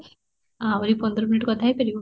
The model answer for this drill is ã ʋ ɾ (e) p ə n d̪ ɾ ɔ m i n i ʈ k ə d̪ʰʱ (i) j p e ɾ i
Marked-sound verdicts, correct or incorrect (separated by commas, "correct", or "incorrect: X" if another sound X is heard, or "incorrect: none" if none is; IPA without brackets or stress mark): incorrect: i, incorrect: a